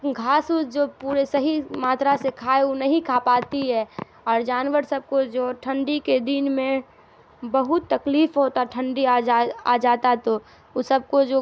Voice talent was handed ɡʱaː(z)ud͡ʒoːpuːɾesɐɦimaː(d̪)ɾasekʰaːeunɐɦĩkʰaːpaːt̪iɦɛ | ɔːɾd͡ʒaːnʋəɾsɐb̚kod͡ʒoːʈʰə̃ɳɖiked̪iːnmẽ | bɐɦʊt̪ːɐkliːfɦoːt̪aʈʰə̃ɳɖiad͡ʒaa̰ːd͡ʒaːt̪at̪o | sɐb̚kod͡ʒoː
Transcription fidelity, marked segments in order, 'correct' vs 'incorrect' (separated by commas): incorrect, incorrect